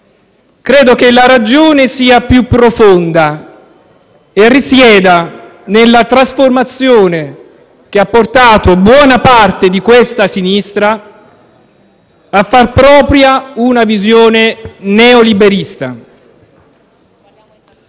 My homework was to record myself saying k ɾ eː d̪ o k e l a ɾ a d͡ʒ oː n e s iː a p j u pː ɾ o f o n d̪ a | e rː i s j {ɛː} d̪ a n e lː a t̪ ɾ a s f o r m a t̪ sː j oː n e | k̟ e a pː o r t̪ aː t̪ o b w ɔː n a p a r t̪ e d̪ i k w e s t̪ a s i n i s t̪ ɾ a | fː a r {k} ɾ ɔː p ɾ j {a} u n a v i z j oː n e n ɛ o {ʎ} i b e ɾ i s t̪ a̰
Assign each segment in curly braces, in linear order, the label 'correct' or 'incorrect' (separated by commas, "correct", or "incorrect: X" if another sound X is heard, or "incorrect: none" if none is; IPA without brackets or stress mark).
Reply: correct, incorrect: p, correct, incorrect: l